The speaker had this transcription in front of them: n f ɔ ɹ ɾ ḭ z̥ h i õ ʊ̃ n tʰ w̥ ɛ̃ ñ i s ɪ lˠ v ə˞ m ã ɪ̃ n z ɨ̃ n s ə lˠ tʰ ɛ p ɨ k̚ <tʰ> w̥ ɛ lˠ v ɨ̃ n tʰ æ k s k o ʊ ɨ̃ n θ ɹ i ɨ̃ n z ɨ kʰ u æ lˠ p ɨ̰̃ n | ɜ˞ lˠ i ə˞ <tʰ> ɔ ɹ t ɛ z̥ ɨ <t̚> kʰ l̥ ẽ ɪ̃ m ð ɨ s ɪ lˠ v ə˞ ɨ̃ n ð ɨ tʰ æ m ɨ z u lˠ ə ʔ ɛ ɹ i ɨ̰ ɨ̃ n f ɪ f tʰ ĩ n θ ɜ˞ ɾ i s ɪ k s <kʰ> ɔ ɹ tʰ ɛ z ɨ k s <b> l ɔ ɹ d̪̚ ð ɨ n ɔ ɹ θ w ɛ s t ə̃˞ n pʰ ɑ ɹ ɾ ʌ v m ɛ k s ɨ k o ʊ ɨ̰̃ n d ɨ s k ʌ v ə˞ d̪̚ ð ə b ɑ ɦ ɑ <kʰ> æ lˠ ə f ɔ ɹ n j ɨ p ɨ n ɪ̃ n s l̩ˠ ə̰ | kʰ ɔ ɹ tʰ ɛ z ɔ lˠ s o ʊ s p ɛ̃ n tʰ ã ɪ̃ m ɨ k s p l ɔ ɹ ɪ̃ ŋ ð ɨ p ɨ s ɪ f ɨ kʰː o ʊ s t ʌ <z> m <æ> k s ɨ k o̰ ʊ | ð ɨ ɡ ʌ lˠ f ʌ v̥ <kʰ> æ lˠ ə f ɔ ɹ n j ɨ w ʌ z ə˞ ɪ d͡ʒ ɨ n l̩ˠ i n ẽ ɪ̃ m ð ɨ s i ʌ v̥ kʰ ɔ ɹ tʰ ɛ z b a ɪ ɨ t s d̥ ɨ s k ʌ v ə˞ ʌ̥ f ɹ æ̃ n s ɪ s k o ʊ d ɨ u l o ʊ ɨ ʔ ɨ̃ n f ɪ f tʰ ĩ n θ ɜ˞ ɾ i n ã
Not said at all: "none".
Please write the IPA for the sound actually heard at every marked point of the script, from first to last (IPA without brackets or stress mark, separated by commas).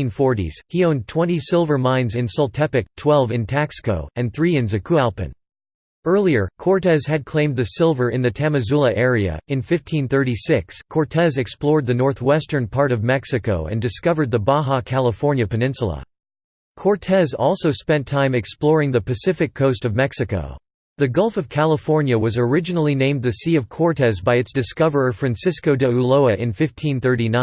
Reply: tʰ, kʰ, d̚, kʰ, p, kʰ, v, ɛ, kʰ